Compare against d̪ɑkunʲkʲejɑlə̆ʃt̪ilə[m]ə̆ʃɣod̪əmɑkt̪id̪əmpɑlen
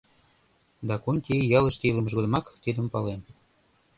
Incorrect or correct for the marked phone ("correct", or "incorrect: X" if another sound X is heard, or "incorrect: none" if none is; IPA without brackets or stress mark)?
correct